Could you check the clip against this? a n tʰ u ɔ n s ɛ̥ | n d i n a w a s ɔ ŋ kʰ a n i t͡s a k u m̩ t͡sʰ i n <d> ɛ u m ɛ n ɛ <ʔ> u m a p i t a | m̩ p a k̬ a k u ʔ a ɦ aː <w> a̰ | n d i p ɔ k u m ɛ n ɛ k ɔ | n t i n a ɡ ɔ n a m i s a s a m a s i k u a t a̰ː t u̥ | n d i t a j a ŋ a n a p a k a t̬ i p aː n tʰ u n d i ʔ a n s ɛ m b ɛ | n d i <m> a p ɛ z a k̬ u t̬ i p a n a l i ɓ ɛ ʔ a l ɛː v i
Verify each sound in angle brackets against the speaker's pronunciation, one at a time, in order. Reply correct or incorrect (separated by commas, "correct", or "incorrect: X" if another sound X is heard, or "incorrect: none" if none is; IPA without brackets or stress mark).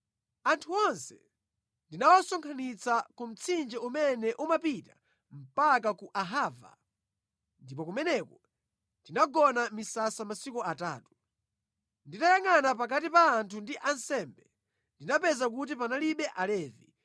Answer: incorrect: d͡ʒ, correct, incorrect: v, incorrect: n